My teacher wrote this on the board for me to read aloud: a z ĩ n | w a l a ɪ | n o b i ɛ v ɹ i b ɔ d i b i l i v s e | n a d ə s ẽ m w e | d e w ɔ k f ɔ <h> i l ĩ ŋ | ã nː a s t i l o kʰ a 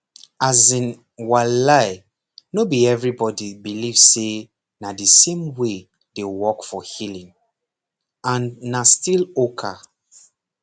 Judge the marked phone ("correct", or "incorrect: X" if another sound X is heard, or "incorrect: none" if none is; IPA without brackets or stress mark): correct